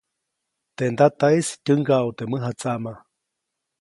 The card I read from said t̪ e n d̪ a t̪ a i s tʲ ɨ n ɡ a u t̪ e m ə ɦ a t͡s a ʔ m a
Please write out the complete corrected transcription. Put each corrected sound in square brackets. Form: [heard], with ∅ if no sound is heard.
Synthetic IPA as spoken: t̪ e n d̪ a t̪ a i s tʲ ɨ [ŋ] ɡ a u t̪ e m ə ɦ a t͡s a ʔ m a